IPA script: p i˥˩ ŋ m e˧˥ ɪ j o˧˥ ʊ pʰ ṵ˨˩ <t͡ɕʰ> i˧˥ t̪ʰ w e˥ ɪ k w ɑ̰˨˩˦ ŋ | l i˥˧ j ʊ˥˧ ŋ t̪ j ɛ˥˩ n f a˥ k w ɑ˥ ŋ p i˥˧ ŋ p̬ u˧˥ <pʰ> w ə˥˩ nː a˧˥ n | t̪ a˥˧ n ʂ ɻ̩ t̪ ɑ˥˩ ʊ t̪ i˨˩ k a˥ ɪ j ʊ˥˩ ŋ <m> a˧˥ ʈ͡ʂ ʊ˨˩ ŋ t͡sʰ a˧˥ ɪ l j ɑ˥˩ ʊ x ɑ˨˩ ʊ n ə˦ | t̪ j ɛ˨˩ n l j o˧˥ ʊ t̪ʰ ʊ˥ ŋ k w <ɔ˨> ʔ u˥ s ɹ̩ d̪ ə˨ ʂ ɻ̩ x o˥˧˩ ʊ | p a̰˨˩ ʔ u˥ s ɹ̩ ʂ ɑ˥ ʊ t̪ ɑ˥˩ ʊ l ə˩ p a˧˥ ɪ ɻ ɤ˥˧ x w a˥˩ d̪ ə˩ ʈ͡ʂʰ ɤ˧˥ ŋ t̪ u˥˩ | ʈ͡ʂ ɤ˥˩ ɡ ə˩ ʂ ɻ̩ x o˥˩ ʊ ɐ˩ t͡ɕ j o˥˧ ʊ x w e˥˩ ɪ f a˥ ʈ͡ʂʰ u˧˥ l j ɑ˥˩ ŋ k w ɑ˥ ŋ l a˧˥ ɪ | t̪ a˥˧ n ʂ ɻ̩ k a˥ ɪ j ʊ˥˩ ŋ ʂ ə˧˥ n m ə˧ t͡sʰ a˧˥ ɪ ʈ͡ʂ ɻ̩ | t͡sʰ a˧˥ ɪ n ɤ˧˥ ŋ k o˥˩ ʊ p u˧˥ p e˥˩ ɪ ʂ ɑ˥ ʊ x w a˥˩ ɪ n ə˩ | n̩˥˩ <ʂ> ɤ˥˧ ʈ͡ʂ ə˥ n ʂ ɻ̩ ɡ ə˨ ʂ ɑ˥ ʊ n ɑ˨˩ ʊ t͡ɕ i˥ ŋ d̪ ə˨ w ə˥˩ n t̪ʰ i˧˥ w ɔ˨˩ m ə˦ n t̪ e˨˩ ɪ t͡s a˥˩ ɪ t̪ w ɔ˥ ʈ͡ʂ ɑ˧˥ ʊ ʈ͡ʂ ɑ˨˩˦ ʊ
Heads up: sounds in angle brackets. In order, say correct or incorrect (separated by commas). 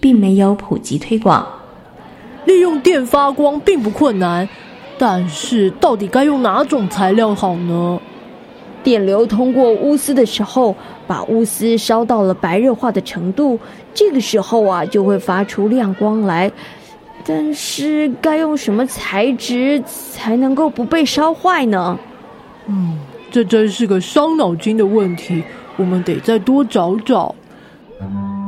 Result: incorrect, incorrect, incorrect, incorrect, incorrect